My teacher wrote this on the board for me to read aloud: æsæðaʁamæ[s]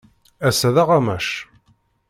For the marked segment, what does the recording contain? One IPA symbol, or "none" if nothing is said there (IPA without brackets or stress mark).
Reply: ʃ